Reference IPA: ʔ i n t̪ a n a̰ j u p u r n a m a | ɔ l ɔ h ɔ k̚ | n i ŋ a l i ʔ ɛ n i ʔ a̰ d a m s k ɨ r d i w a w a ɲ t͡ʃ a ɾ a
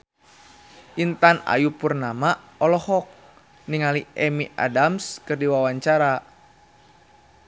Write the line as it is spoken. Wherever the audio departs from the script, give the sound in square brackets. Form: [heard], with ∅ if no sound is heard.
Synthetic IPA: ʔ i n t̪ a n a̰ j u p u r n a m a | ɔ l ɔ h ɔ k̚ | n i ŋ a l i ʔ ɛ [m] i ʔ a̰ d a m s k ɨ r d i w a w a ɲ t͡ʃ a ɾ a

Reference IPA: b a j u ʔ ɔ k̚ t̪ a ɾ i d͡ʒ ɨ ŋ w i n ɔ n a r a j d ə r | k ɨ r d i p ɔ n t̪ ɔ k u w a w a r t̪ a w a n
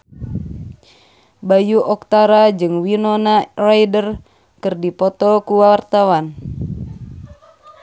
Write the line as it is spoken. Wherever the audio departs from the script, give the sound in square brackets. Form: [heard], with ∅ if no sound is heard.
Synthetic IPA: b a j u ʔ ɔ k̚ t̪ a ɾ [a] d͡ʒ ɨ ŋ w i n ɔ n a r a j d ə r | k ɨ r d i p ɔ [∅] t̪ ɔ k u w a w a r t̪ a w a n

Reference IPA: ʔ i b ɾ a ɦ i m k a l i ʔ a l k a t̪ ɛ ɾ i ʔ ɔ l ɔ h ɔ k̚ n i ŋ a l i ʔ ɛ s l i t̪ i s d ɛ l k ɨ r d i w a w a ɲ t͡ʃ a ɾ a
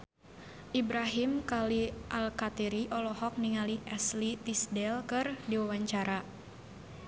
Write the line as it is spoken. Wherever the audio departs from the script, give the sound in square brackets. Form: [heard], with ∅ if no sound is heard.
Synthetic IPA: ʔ i b ɾ a ɦ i m k a l i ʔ a l k a t̪ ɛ ɾ i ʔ ɔ l ɔ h ɔ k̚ n i ŋ a l i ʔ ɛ s l i t̪ i s d ɛ l k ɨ r d i w a w a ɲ t͡ʃ a ɾ a

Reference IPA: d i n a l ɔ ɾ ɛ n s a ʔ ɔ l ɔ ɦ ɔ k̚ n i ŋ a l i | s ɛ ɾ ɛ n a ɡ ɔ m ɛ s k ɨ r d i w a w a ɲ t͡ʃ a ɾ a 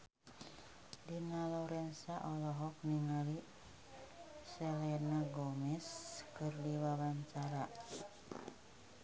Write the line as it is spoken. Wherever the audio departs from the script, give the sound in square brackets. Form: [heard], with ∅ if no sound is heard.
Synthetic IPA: d i n a l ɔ ɾ ɛ n s a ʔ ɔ l ɔ ɦ ɔ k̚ n i ŋ a l i | s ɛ [l] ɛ n a ɡ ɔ m ɛ s k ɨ r d i w a w a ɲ t͡ʃ a ɾ a

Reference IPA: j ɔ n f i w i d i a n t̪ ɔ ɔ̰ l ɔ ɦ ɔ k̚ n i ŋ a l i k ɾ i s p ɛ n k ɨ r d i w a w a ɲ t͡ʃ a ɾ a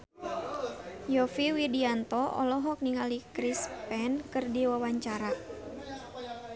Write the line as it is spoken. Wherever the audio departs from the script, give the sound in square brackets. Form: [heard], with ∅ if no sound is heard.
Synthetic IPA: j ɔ [∅] f i w i d i a n t̪ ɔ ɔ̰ l ɔ ɦ ɔ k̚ n i ŋ a l i k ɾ i s p ɛ n k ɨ r d i w a w a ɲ t͡ʃ a ɾ a

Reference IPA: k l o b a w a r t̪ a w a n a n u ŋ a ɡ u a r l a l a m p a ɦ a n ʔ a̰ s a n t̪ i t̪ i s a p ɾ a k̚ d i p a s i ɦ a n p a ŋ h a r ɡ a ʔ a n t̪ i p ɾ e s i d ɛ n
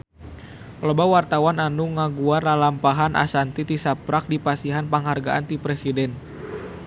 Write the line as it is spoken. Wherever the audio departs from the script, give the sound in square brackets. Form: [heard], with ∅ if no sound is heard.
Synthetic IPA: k l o b a w a r t̪ a w a n a n u ŋ a ɡ u a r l a l a m p a ɦ a n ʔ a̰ s a n t̪ i t̪ i s a p ɾ a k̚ d i p a s i ɦ a n p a ŋ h a r ɡ a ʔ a n t̪ i p ɾ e s i d ɛ n

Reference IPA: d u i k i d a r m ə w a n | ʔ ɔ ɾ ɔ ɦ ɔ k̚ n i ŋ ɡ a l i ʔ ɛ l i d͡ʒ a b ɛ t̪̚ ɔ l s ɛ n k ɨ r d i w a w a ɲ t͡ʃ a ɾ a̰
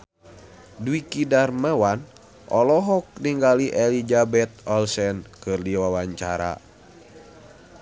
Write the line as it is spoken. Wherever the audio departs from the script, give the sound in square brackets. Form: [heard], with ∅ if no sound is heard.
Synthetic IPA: d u i k i d a r m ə w a n | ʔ ɔ [l] ɔ ɦ ɔ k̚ n i ŋ ɡ a l i ʔ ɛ l i d͡ʒ a b ɛ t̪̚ ɔ l s ɛ n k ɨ r d i w a w a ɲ t͡ʃ a ɾ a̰

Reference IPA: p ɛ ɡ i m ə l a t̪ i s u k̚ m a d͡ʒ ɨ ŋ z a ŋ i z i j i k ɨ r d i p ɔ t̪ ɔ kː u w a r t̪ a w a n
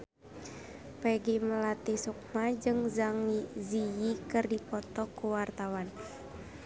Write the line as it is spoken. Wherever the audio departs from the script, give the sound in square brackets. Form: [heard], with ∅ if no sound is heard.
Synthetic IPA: p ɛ ɡ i m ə l a t̪ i s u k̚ m a d͡ʒ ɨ ŋ z a ŋ i z i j i k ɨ r d i p ɔ t̪ ɔ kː u w a r t̪ a w a n

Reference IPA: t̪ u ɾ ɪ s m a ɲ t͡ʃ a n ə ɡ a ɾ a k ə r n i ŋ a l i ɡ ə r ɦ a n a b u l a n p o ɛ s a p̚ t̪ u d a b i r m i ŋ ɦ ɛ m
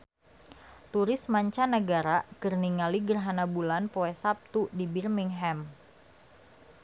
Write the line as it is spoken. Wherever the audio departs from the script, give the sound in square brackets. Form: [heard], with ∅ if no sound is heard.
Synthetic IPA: t̪ u ɾ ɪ s m a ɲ t͡ʃ a n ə ɡ a ɾ a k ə r n i ŋ a l i ɡ ə r ɦ a n a b u l a n p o ɛ s a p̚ t̪ u d [i] b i r m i ŋ ɦ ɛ m

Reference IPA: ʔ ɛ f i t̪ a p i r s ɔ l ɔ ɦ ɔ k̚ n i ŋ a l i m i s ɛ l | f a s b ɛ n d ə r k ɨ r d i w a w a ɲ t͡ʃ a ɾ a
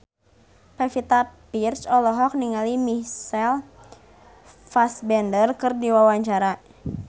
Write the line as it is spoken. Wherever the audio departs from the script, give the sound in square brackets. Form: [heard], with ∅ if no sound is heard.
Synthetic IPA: [p] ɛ f i t̪ a p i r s ɔ l ɔ ɦ ɔ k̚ n i ŋ a l i m i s ɛ l | f a s b ɛ n d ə r k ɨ r d i w a w a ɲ t͡ʃ a ɾ a

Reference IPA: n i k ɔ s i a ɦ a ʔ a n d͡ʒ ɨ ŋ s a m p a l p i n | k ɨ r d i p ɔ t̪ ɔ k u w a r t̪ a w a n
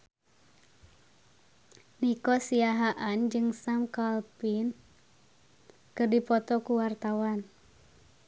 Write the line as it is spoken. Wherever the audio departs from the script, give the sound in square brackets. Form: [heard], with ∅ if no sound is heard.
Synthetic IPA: n i k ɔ s i a ɦ a ʔ a n d͡ʒ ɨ ŋ s a m [k] a l p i n | k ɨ r d i p ɔ t̪ ɔ k u w a r t̪ a w a n

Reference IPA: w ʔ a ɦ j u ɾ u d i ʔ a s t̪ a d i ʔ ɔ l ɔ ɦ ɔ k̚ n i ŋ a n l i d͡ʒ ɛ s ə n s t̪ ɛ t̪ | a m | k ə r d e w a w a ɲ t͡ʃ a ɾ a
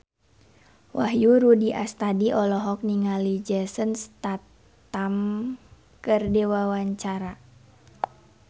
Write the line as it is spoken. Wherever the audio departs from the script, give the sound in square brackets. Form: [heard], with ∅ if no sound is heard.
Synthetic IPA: w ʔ a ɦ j u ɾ u d i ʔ a s t̪ a d i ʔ ɔ l ɔ ɦ ɔ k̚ n i ŋ a [∅] l i d͡ʒ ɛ s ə n s t̪ [a] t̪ | a m | k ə r d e w a w a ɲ t͡ʃ a ɾ a

